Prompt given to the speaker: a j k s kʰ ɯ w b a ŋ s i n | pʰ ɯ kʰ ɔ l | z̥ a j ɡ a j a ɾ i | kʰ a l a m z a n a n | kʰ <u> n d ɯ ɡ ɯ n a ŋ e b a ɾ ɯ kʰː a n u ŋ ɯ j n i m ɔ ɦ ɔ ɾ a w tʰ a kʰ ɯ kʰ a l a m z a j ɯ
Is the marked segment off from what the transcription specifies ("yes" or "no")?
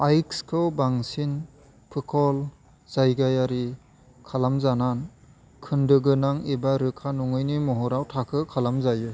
yes